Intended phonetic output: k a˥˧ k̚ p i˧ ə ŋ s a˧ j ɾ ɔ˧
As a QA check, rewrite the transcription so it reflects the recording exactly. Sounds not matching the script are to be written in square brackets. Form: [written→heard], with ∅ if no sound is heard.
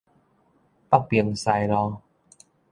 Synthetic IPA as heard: [k→p] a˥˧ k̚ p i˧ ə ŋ s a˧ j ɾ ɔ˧